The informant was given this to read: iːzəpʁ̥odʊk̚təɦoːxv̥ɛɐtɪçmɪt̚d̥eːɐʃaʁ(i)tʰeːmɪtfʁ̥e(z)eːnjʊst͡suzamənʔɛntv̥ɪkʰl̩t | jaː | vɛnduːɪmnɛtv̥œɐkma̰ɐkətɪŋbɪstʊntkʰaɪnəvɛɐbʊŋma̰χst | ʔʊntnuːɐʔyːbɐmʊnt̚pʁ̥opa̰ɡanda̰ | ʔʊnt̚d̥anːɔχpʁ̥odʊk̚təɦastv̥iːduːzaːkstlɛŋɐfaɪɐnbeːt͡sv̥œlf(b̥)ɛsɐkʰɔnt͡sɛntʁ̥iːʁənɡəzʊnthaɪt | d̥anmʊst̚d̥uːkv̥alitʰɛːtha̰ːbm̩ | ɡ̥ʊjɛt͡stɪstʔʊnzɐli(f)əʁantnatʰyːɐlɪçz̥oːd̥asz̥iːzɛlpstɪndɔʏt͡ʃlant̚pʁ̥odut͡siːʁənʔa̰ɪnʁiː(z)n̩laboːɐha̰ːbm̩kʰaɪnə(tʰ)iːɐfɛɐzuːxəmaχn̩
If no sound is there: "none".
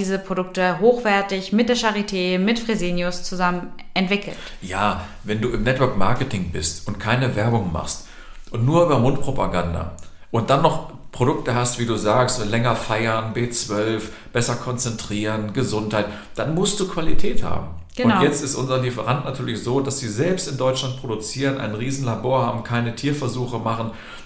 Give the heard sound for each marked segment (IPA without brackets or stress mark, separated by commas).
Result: i, z, b̥, f, z, tʰ